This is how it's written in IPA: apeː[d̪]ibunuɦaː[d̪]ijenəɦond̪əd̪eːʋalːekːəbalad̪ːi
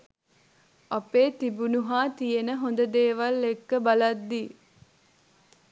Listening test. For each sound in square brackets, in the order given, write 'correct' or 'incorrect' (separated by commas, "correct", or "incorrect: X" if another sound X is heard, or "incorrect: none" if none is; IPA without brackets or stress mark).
incorrect: t̪, incorrect: t̪